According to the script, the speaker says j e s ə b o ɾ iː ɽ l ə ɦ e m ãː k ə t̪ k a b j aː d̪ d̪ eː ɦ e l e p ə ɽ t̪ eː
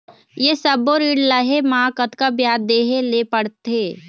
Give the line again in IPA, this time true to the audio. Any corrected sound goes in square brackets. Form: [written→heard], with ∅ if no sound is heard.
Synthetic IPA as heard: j e s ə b o ɾ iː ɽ l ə ɦ e m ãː k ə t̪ k a b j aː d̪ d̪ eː ɦ e l e p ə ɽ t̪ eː

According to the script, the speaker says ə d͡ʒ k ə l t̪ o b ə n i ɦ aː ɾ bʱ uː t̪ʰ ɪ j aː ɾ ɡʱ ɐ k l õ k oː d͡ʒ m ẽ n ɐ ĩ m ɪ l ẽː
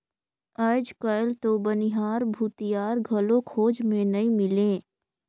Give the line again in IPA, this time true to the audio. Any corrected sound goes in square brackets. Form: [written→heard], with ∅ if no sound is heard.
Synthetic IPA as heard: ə d͡ʒ k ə l t̪ o b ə n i ɦ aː ɾ bʱ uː [t̪ʰ→t̪] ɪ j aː ɾ ɡʱ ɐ [k→∅] l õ [k→kʰ] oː d͡ʒ m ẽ n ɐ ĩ m ɪ l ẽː

